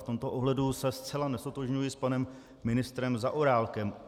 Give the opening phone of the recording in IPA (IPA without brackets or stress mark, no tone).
f